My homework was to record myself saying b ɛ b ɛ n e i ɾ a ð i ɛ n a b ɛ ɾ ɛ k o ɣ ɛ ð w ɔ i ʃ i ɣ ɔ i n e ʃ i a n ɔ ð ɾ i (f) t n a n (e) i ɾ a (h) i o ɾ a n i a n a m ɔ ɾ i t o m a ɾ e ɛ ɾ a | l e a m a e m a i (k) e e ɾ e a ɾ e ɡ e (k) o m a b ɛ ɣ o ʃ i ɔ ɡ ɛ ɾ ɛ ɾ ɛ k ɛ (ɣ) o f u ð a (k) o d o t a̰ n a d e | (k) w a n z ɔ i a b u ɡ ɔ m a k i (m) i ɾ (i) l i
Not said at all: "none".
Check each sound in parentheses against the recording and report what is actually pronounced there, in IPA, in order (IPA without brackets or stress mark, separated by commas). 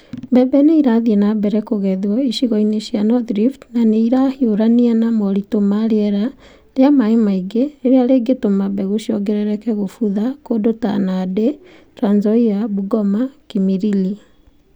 f, e, h, ɡ, t, ɣ, k, t, m, i